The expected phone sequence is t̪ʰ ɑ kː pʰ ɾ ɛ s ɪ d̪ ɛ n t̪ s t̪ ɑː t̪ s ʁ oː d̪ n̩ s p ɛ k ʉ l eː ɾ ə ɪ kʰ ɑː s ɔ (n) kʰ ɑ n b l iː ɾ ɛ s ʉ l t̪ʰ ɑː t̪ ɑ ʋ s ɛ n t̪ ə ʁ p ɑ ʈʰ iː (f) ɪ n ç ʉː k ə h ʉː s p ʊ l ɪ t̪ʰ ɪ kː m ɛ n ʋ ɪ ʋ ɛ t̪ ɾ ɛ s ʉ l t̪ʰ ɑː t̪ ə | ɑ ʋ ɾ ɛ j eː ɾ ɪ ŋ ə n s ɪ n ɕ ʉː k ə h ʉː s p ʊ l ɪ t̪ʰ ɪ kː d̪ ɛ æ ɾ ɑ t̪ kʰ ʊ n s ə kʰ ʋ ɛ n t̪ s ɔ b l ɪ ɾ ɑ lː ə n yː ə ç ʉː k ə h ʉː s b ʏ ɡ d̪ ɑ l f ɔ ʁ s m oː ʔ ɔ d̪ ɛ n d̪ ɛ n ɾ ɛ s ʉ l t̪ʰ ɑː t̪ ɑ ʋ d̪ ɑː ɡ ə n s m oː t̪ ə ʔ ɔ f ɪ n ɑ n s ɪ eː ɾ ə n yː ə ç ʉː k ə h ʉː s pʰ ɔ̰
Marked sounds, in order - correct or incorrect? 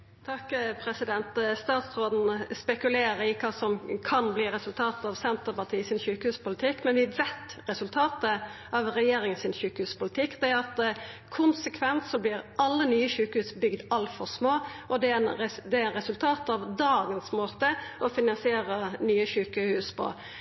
incorrect, incorrect

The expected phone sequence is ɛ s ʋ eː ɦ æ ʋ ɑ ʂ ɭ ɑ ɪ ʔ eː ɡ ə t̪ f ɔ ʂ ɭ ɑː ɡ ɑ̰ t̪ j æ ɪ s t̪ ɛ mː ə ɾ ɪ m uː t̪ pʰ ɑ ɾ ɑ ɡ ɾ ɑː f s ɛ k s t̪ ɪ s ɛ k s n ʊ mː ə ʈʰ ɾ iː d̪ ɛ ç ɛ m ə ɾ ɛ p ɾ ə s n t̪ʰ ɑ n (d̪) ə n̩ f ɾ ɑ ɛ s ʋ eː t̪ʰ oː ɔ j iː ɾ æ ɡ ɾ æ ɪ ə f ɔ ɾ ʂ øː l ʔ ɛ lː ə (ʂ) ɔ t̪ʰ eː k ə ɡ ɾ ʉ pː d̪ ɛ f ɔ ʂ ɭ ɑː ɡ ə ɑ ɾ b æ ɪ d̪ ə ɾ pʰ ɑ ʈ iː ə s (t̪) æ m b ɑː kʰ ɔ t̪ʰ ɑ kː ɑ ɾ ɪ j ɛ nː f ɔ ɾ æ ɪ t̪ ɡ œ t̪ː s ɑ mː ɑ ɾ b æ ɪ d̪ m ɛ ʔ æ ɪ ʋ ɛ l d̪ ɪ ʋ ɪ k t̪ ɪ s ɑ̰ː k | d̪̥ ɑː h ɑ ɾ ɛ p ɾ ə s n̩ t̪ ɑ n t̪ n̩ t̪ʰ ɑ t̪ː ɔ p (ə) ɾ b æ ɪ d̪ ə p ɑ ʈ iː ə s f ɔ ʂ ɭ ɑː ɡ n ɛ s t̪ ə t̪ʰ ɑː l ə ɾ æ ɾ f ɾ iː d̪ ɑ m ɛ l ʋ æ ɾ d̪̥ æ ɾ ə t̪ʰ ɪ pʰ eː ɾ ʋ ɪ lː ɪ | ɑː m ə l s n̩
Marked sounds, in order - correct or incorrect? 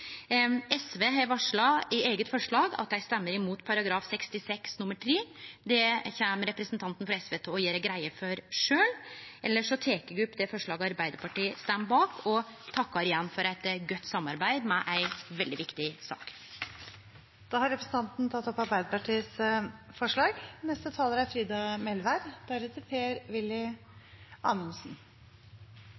incorrect, correct, correct, incorrect

